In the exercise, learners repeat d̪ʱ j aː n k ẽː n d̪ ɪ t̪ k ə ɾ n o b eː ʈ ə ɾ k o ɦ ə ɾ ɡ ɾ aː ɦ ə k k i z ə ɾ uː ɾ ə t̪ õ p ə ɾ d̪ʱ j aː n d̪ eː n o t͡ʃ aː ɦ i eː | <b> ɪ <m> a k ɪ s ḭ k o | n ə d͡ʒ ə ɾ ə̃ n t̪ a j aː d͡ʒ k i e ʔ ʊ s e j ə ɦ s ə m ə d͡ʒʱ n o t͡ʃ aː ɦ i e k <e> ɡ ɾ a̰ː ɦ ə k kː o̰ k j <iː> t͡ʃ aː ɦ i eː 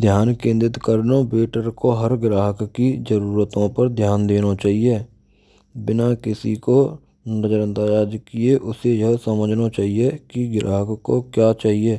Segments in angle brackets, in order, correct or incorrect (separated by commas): correct, incorrect, incorrect, incorrect